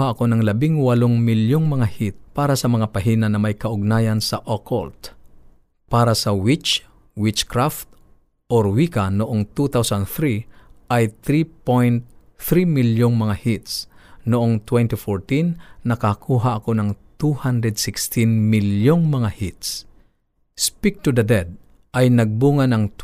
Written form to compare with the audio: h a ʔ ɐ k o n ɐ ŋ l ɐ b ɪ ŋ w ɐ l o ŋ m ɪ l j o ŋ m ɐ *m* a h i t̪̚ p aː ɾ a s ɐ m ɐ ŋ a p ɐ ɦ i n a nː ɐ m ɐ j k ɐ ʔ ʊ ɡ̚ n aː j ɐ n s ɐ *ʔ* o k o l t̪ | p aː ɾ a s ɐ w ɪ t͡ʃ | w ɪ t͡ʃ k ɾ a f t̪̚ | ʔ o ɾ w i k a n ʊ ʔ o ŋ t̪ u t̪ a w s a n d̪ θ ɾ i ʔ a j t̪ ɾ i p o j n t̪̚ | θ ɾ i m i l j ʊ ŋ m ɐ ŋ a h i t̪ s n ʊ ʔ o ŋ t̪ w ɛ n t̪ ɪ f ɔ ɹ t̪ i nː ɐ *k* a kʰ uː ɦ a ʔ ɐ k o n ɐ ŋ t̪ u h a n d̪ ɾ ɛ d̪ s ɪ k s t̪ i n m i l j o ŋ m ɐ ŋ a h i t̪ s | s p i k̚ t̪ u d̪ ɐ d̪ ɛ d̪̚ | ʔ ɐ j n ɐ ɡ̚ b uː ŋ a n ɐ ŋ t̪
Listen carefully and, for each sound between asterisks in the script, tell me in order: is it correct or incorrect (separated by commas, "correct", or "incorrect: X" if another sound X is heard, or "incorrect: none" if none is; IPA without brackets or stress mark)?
incorrect: ŋ, correct, correct